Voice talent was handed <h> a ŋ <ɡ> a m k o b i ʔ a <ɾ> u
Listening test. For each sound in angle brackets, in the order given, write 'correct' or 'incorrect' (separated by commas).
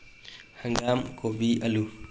correct, correct, incorrect